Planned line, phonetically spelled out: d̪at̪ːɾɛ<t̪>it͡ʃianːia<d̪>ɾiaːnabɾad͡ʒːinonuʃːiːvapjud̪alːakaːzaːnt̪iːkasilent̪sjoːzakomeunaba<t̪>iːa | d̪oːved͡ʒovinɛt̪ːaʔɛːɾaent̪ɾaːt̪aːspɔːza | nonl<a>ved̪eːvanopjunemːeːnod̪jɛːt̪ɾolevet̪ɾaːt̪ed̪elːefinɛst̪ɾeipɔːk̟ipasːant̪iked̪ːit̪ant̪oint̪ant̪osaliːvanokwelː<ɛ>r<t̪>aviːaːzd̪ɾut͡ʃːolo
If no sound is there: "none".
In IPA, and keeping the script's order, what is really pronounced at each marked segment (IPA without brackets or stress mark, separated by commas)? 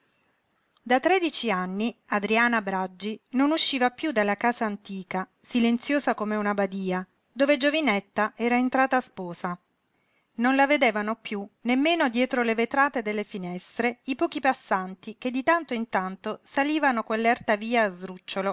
d̪, d̪, d̪, a, ɛ, t̪